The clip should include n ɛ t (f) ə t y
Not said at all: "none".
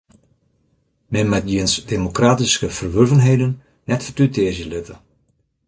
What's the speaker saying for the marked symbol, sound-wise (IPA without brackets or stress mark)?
f